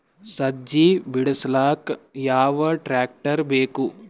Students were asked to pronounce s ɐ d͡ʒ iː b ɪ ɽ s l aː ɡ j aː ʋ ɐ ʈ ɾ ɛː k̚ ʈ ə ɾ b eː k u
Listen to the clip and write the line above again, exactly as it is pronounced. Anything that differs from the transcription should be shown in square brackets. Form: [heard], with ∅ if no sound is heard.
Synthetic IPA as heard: s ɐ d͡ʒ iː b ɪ ɽ s l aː [k] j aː ʋ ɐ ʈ ɾ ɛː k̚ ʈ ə ɾ b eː k u